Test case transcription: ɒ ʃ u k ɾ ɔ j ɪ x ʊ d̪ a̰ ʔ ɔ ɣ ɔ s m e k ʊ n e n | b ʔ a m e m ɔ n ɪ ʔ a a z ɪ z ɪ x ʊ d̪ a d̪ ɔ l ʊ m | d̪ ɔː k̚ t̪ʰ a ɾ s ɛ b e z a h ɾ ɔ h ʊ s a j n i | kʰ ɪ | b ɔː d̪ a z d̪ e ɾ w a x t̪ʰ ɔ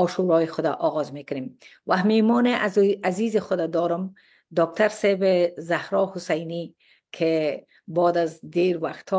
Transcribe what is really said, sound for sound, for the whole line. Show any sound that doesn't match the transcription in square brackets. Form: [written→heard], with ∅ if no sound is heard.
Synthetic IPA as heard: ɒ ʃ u [k→∅] ɾ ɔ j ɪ x ʊ d̪ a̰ ʔ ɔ ɣ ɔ [s→z] m e k ʊ n e [n→m] | [b→w] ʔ a m e m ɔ n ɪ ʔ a a z [ɪ→i] z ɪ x ʊ d̪ a d̪ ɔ [l→ɾ] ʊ m | d̪ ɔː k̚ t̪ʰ a ɾ s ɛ b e z a h ɾ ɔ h ʊ s a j n i | kʰ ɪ | b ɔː d̪ a z d̪ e ɾ w a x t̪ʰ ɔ